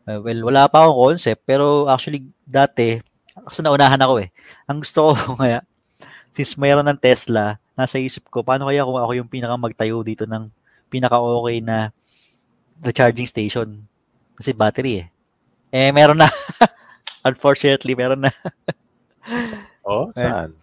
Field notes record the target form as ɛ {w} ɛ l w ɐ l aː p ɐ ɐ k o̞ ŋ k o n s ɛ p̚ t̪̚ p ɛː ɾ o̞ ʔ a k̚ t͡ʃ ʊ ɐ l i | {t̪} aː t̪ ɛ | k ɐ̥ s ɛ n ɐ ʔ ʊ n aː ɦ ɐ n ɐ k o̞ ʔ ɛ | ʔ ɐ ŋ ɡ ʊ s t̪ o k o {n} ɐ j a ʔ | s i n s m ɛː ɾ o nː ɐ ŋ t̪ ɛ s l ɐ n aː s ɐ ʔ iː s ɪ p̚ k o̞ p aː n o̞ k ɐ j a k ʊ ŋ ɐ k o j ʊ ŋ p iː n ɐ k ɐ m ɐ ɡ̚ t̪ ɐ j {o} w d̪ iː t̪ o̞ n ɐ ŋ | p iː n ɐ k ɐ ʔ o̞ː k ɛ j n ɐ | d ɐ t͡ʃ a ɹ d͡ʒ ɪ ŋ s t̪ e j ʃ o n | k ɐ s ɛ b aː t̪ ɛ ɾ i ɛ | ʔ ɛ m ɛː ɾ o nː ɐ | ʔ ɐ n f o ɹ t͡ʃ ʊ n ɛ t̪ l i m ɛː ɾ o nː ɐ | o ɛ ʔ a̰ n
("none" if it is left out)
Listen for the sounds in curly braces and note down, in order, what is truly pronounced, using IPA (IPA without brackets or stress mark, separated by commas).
w, d̪, ŋ, o